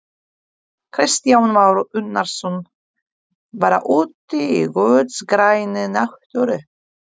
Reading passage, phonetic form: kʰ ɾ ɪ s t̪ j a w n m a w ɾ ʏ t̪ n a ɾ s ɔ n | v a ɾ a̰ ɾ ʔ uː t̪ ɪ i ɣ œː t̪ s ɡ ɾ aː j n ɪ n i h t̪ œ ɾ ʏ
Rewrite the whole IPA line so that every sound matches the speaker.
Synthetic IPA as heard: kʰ ɾ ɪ s t̪ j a w n m a w ɾ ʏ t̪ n a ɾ s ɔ n | v a ɾ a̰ ʔ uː t̪ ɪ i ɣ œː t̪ s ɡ ɾ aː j n ɪ n a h t̪ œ ɾ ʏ